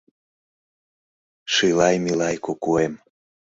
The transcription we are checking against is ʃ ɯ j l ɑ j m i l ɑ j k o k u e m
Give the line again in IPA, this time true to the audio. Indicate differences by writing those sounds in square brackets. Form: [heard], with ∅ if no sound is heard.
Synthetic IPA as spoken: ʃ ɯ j l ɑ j m i l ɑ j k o k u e m